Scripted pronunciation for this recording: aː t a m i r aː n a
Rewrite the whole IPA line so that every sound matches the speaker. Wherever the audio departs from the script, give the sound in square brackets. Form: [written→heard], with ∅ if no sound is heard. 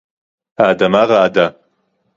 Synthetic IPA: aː [t→d] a m [i→a] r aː [n→d] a